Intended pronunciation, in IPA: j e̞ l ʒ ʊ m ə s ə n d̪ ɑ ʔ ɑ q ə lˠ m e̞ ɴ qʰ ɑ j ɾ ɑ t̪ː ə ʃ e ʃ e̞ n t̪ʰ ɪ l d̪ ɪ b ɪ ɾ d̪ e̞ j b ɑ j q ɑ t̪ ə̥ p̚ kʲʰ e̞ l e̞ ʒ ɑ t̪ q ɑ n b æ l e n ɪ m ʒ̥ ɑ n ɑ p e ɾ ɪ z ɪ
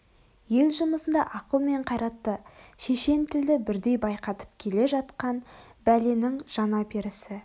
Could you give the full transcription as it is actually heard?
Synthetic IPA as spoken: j e̞ l ʒ ʊ m ə s ə n d̪ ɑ ʔ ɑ q ə lˠ m e̞ ɴ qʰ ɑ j ɾ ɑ t̪ː ə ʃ e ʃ e̞ n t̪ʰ ɪ l d̪ ɪ b ɪ ɾ d̪ e̞ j b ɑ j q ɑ t̪ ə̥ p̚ kʲʰ e̞ l e̞ ʒ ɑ t̪ q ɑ n b æ l e n ɪ ŋ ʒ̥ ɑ n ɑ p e ɾ ɪ s ɪ

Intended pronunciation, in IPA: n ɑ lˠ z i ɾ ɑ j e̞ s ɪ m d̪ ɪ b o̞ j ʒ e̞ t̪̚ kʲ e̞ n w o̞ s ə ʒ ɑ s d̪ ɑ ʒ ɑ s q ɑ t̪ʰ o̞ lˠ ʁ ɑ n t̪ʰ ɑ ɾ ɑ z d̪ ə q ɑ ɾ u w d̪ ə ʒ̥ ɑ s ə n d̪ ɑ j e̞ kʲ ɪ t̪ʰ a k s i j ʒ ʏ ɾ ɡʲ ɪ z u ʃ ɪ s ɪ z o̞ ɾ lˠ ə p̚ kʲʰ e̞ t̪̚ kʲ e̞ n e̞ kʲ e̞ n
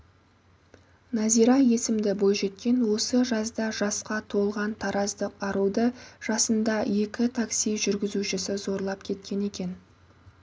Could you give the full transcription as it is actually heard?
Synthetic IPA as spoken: n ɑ z i ɾ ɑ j e̞ s ɪ m d̪ ɪ b o̞ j ʒ e̞ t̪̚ kʲ e̞ n w o̞ s ə ʒ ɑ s d̪ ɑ ʒ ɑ s q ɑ t̪ʰ o̞ lˠ ʁ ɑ n t̪ʰ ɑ ɾ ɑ z d̪ ə q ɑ ɾ u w d̪ ə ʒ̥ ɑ s ə n d̪ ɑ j e̞ kʲ ɪ t̪ʰ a k s i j ʒ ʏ ɾ ɡʲ ɪ z u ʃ ɪ s ɪ z o̞ ɾ lˠ ɑ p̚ kʲʰ e̞ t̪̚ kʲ e̞ n e̞ kʲ e̞ n

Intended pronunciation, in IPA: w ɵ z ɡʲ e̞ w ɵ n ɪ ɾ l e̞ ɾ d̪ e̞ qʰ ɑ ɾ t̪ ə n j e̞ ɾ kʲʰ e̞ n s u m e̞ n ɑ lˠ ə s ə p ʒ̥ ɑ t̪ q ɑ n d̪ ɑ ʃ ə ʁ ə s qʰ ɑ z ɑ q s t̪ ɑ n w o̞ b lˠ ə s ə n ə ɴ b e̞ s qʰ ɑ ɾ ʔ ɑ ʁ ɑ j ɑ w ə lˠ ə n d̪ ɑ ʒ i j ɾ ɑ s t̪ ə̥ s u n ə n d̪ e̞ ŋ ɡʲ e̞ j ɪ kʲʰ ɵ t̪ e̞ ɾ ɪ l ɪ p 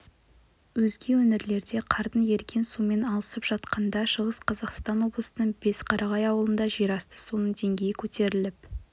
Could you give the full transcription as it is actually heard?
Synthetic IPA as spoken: w ɵ z ɡʲ e̞ w ɵ n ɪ ɾ l e̞ ɾ d̪ e̞ qʰ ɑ ɾ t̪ ə n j e̞ ɾ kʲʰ e̞ n s u m e̞ n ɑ lˠ ə s ə p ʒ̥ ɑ t̪ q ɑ n d̪ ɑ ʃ ə ʁ ə s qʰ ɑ z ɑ q s t̪ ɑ n w o̞ b lˠ ə s ə n ə ɴ b e̞ s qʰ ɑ ɾ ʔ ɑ ʁ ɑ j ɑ w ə lˠ ə n d̪ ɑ ʒ i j ɾ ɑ s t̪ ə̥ s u n ə ɴ d̪ e̞ ŋ ɡʲ e̞ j ɪ kʲʰ ɵ t̪ e̞ ɾ ɪ l ɪ p

